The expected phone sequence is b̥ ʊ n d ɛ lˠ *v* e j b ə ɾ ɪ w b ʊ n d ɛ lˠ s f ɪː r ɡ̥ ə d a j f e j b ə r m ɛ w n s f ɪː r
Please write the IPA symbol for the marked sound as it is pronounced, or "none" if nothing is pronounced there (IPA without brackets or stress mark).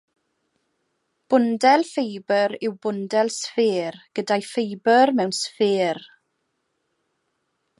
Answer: f